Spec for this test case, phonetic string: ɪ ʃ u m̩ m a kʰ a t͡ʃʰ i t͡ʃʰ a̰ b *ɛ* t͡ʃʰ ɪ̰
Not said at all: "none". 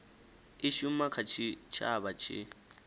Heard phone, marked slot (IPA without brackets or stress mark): a